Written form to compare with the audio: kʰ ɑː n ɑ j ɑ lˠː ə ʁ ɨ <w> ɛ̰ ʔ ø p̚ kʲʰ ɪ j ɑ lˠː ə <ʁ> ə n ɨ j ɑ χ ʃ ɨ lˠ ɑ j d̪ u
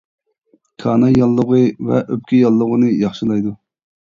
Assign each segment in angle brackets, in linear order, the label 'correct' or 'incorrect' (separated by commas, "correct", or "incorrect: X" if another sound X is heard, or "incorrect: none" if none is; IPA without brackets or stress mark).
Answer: incorrect: v, correct